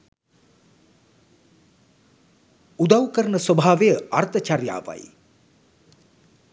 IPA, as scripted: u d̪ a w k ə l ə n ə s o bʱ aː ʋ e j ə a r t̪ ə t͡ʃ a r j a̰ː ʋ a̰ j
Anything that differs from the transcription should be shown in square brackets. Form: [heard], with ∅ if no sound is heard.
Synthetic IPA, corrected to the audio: u d̪ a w k ə [ɾ] ə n ə s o bʱ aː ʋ e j ə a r t̪ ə t͡ʃ a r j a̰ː ʋ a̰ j